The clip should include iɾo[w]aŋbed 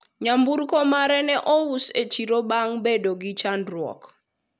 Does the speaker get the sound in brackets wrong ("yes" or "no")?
yes